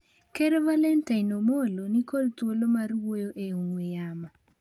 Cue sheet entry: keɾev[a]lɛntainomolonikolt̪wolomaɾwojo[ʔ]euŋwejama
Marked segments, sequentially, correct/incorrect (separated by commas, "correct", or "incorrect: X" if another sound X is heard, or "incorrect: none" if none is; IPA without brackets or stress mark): correct, correct